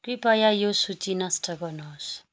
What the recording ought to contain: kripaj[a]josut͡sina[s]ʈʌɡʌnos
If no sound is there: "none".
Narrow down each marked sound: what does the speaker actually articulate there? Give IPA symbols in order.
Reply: a, s

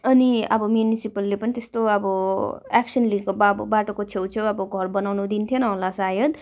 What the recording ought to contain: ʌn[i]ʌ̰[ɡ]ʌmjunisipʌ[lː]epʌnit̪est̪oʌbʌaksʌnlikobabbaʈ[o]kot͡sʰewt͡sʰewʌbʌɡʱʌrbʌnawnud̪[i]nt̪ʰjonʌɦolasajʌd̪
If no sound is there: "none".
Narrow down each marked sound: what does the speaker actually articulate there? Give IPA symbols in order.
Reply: i, b, lː, o, i

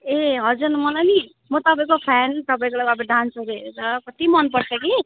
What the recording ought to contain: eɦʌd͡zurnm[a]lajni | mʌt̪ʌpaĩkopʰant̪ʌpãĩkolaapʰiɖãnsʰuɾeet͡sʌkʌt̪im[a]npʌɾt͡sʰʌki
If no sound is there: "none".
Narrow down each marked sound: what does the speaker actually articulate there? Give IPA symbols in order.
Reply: ʌ, ʌ

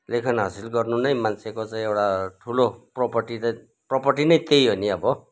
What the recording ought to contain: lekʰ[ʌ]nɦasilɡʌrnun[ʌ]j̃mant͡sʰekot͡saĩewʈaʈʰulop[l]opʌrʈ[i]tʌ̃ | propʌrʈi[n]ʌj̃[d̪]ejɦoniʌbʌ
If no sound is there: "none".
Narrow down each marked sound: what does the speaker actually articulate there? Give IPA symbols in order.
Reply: ʌ, ʌ, r, i, n, t̪

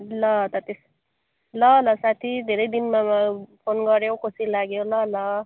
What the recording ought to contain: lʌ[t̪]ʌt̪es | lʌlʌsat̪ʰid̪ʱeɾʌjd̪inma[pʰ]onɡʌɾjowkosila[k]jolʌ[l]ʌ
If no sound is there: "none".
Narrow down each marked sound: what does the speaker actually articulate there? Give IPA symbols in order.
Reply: t̪, pʰ, ɡ, l

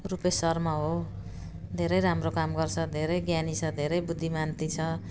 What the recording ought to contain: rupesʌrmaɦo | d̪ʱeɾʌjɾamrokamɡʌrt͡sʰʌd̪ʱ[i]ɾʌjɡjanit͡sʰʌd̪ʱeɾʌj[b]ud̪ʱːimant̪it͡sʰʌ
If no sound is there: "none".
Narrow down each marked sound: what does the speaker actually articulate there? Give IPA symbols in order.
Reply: e, b

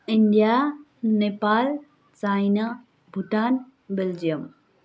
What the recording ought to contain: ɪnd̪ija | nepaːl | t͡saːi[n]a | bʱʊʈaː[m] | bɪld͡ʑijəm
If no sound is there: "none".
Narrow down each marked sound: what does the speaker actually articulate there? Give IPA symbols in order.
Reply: n, n

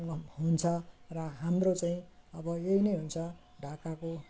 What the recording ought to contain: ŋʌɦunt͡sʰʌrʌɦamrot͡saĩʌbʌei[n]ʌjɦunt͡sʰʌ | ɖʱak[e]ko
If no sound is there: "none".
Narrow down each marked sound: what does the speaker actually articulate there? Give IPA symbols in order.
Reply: n, a

